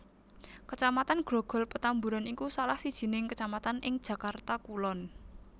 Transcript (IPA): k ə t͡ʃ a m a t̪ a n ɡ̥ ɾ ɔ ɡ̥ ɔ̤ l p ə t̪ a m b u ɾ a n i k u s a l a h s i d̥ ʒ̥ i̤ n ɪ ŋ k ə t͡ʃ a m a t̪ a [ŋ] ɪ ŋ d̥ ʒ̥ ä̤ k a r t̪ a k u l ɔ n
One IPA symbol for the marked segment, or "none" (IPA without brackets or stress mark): n